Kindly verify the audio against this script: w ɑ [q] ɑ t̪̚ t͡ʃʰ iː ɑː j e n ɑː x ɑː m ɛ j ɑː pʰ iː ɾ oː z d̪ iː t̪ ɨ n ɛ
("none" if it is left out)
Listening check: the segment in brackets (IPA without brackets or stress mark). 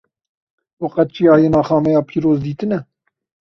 q